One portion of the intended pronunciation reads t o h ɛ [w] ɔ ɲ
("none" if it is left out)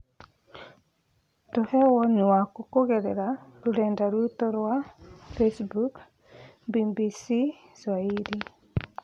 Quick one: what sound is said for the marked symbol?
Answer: w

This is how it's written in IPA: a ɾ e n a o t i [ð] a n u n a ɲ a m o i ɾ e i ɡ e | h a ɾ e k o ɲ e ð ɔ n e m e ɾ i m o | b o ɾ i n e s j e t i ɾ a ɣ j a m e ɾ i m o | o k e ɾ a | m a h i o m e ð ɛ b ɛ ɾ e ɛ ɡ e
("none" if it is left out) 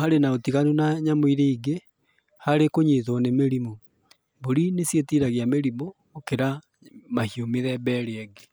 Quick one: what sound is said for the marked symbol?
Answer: ɣ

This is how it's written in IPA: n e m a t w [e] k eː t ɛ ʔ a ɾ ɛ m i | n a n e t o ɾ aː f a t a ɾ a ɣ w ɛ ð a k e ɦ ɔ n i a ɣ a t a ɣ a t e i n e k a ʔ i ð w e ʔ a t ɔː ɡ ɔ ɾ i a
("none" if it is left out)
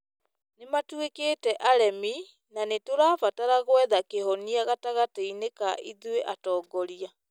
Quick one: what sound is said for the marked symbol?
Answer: e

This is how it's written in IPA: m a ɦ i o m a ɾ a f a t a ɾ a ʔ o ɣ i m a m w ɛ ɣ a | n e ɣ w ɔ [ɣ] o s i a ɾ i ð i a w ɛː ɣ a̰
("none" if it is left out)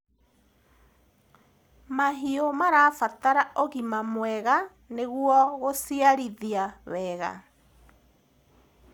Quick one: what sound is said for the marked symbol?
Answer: ɣ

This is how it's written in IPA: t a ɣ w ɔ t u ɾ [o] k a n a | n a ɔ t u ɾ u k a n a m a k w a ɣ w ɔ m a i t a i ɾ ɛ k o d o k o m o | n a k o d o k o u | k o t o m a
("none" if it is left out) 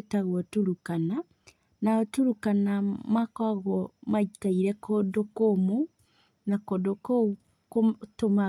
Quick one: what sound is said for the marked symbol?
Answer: u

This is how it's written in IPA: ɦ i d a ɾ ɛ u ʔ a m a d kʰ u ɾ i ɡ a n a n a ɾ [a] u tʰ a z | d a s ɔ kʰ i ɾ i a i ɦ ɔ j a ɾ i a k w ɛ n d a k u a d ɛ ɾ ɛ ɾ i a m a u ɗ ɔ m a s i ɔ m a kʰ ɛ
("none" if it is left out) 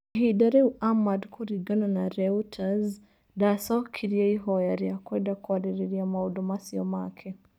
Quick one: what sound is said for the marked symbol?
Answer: ɛ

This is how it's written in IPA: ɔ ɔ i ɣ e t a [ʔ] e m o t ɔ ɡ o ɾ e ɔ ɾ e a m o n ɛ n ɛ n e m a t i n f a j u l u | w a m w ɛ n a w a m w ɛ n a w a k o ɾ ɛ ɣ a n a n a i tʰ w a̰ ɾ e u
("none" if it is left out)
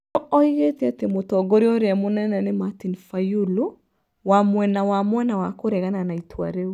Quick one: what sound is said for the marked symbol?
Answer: t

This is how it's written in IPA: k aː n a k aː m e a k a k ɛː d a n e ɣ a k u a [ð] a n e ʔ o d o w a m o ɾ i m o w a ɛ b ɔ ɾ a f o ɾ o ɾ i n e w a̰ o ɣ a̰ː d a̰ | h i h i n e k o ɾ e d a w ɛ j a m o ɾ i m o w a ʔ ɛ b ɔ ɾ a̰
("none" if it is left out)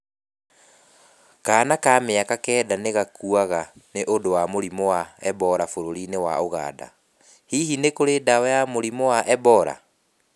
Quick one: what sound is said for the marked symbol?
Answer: ɣ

